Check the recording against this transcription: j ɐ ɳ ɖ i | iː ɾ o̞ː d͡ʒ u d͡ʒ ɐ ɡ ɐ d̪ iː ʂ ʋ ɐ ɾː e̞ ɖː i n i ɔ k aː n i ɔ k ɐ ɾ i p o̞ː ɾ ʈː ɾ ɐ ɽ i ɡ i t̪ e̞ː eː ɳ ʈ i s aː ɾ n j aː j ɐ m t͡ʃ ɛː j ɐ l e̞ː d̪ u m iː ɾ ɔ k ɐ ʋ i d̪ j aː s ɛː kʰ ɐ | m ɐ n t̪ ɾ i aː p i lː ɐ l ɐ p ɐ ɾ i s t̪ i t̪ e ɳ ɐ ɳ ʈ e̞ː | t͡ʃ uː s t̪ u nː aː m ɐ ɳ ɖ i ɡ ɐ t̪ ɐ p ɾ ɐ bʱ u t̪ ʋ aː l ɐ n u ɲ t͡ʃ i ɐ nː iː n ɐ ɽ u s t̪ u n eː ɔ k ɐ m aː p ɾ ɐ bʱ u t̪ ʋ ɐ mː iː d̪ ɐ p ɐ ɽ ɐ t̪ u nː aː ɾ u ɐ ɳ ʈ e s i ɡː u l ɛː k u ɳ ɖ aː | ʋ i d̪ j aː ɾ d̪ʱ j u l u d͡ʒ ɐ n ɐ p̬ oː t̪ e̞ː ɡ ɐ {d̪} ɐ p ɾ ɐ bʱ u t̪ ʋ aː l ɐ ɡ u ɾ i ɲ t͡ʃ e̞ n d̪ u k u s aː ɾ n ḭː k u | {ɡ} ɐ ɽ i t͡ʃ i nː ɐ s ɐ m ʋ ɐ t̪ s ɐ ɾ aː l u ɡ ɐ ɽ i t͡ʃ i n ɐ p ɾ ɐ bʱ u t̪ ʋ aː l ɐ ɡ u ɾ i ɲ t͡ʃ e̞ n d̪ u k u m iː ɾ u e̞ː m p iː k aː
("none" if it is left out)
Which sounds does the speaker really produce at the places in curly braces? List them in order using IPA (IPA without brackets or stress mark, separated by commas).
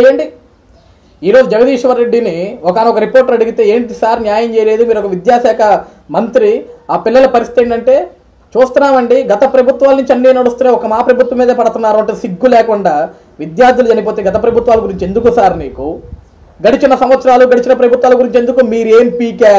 t̪, ɡ